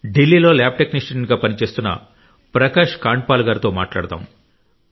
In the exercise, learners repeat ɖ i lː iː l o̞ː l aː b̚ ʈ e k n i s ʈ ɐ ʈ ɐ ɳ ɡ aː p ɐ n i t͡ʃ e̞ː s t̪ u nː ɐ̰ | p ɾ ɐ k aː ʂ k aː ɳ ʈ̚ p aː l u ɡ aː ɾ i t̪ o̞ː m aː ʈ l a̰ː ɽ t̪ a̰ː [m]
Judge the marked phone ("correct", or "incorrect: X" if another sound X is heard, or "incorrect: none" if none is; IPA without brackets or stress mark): correct